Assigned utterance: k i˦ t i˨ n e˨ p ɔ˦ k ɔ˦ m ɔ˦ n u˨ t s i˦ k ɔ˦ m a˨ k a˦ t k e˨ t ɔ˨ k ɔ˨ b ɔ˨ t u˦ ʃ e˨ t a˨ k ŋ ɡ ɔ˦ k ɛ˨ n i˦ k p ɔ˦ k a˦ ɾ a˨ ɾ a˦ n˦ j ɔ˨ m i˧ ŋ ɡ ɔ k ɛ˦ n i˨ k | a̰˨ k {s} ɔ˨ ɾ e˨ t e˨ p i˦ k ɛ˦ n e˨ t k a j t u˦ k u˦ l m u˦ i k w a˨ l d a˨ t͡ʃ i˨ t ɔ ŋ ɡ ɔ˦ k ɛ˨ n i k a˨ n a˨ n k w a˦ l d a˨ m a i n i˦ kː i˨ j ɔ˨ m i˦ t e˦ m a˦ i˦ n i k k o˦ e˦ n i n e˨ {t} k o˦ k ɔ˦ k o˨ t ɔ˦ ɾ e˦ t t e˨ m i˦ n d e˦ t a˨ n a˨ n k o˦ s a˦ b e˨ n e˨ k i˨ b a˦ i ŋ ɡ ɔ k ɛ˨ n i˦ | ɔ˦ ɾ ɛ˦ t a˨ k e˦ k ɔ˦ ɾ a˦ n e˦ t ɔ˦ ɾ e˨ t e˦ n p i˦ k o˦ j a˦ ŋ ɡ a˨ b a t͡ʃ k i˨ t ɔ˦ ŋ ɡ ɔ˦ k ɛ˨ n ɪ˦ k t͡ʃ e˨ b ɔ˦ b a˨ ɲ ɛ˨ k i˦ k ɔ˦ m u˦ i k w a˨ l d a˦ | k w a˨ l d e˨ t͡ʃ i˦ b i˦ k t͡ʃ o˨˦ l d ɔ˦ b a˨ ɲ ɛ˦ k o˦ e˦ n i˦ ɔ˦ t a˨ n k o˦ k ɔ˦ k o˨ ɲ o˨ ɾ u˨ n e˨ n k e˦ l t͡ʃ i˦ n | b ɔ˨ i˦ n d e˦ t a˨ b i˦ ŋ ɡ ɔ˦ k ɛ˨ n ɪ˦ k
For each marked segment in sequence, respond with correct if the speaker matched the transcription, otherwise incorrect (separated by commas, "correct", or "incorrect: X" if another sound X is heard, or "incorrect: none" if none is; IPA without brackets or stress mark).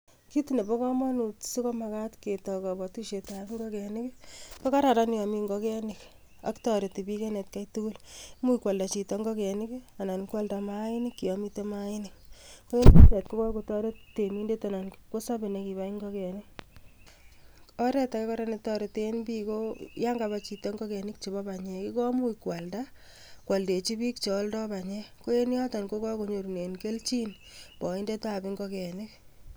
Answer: incorrect: t, correct